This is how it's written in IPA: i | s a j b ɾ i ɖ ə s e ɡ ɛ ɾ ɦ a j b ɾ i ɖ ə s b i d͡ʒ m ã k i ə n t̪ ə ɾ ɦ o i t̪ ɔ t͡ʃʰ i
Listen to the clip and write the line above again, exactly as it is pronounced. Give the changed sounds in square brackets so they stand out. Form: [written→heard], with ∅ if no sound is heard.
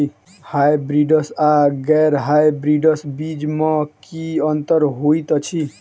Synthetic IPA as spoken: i | [s→h] a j b ɾ i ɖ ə s [e→a] ɡ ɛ ɾ ɦ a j b ɾ i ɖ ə s b i d͡ʒ m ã k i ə n t̪ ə ɾ ɦ o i t̪ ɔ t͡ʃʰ i